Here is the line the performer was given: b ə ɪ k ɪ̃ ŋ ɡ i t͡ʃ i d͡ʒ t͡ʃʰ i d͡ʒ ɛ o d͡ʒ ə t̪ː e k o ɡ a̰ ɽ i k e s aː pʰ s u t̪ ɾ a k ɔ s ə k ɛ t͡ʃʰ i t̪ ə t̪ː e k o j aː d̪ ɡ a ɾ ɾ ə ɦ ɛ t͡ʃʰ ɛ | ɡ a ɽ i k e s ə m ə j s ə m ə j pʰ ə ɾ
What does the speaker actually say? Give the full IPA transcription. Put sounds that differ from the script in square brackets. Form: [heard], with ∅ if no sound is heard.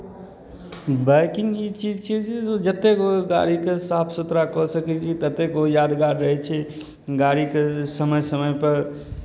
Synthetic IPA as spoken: b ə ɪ k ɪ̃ ŋ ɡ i t͡ʃ i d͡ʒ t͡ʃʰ i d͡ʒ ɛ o d͡ʒ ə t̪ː e k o ɡ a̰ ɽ i k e s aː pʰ s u t̪ ɾ a k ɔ s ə k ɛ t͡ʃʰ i t̪ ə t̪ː e k o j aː d̪ ɡ a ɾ ɾ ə ɦ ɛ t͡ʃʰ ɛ | ɡ a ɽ i k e s ə m ə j s ə m ə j [p] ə ɾ